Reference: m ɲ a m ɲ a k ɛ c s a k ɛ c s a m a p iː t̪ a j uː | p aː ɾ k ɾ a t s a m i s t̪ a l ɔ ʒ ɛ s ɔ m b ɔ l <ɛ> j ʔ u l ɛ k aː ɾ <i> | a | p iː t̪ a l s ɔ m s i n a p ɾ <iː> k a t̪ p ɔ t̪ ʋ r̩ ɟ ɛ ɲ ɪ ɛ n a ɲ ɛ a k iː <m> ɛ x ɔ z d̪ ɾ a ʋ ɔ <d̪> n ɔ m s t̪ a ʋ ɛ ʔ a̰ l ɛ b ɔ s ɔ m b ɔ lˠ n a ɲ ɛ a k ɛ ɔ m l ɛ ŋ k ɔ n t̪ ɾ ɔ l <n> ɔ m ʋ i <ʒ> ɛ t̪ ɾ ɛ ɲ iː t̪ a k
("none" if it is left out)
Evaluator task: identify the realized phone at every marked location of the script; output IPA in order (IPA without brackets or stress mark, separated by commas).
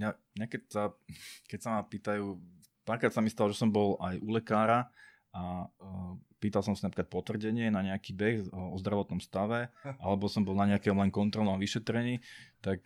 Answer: a, a, i, b, t̪, n, ʃ